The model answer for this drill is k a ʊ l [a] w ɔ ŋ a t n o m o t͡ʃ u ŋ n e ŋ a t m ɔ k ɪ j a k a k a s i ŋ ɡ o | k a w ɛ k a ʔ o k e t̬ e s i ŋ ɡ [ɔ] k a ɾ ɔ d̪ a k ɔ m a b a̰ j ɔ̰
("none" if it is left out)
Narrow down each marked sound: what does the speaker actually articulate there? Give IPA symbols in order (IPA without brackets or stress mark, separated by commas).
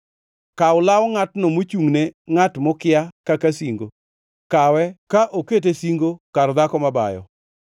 a, o